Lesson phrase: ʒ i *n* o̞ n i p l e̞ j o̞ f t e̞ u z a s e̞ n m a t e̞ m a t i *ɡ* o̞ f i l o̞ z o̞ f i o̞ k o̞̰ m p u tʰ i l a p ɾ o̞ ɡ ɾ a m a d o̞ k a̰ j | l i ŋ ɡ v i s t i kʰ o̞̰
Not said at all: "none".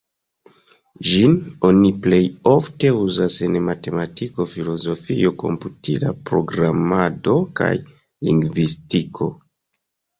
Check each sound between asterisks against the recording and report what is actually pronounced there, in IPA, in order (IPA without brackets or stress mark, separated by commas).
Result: n, k